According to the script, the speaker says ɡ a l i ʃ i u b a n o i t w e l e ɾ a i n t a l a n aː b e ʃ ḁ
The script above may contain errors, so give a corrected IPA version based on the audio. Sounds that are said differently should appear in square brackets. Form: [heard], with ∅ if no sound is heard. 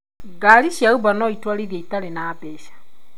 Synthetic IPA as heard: ɡ a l i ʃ [a] u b a n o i t w [a] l [i] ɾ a i [∅] t a l [e] n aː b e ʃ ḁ